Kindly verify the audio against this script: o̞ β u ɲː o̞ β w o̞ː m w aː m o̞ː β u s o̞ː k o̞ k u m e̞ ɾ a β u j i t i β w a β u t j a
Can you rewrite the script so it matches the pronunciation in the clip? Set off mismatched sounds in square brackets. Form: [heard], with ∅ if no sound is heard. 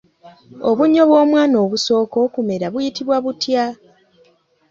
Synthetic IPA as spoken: o̞ β u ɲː o̞ β w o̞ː m w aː [n] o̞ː β u s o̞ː k o̞ k u m e̞ ɾ a β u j i t i β w a β u t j a

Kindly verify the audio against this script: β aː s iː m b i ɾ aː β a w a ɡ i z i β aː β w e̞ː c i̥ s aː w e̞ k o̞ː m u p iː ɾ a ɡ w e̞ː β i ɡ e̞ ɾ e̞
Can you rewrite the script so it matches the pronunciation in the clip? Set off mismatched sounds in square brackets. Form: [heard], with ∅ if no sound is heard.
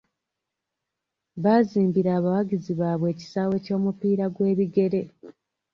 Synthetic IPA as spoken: β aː [z] iː m b i ɾ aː β a w a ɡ i z i β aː β w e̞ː c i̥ s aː w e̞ [c] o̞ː m u p iː ɾ a ɡ w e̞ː β i ɡ e̞ ɾ e̞

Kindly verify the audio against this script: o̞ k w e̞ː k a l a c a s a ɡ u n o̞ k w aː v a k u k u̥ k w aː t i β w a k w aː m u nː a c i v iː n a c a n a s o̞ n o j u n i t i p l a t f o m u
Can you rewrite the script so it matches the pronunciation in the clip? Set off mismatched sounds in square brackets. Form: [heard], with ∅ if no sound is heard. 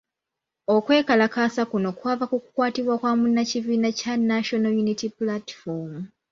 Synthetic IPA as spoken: o̞ k w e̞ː k a l a [k] a s a [k] u n o̞ k w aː v a k u k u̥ k w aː t i β w a k w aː m u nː a c i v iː n a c a n a [ʃ] o̞ n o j u n i t i p l a t f o m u

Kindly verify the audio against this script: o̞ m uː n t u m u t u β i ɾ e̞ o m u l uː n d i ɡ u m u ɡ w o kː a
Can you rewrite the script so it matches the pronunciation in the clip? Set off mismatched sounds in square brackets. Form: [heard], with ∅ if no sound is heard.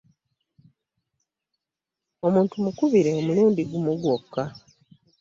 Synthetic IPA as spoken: o̞ m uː n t u m u [k] u β i ɾ e̞ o m u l uː n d i ɡ u m u ɡ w o kː a

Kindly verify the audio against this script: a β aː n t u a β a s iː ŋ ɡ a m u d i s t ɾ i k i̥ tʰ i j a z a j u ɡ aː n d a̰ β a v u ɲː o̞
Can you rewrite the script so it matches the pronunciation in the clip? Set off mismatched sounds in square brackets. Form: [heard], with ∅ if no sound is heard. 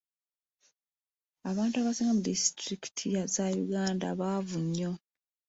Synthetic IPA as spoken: a β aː n t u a β a s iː ŋ ɡ a m u d i s t ɾ i k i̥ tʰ i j a z a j u ɡ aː n d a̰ β a v u ɲː o̞

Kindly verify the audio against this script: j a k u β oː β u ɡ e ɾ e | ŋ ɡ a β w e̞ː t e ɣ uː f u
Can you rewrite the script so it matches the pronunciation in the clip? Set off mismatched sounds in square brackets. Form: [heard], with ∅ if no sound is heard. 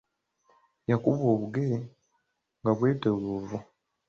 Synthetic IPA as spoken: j a k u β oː β u ɡ e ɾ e | ŋ ɡ a β w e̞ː t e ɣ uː [v] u

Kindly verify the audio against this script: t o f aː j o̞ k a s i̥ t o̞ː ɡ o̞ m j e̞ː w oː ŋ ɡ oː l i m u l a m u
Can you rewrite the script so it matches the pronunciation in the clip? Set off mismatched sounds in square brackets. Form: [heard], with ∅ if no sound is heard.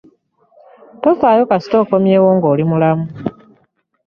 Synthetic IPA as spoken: t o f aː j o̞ k a s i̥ t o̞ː [k] o̞ m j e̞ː w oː ŋ ɡ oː l i m u l a m u

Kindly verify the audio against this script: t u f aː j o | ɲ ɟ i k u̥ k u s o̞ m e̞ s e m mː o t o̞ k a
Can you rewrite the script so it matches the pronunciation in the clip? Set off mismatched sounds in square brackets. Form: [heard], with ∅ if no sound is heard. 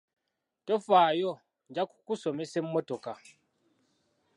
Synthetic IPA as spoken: t [o] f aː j o | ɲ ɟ [a] k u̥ k u s o̞ m e̞ s e m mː o t o̞ k a

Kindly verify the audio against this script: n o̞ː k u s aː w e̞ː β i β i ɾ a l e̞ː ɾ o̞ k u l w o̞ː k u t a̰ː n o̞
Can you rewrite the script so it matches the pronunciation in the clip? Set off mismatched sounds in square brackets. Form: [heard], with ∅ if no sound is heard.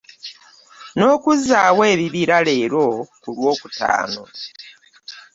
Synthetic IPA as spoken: n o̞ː k u [z] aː w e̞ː β i β i ɾ a l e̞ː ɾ o̞ k u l w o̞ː k u t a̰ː n o̞

